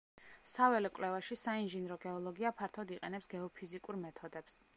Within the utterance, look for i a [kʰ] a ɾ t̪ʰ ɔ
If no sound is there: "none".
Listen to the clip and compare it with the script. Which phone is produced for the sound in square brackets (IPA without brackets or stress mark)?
pʰ